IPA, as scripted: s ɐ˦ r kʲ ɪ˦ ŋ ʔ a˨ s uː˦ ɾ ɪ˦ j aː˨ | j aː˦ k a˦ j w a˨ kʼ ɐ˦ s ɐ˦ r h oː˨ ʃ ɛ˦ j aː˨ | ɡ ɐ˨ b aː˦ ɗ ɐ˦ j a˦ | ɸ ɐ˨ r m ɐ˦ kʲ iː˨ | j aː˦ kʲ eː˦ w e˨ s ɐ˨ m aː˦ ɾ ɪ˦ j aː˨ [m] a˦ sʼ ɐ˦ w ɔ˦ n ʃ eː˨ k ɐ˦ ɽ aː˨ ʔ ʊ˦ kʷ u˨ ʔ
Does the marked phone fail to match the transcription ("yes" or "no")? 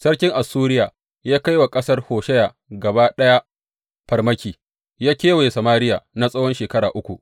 yes